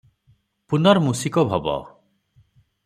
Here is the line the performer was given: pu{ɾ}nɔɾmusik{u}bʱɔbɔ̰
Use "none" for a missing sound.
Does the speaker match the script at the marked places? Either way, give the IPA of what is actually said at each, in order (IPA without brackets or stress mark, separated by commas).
none, ɔ